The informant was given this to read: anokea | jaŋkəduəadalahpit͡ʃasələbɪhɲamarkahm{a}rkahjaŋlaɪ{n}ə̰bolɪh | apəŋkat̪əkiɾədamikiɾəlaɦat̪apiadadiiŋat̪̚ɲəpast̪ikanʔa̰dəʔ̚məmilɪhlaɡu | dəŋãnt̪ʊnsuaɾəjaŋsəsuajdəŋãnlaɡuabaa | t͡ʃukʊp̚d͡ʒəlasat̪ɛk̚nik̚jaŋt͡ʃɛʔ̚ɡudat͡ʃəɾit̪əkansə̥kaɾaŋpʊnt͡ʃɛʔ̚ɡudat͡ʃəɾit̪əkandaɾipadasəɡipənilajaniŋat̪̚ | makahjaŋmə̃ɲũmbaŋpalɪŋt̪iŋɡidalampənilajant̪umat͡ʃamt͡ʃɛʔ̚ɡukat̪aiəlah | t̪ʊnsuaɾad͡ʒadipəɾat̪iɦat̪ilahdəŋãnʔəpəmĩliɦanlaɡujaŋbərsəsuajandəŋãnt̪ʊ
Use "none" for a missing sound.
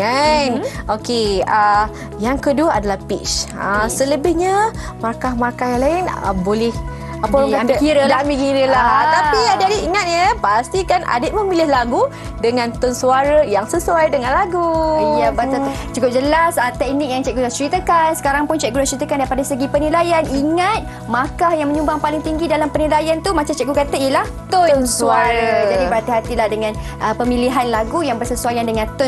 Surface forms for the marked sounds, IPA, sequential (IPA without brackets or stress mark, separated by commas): a, n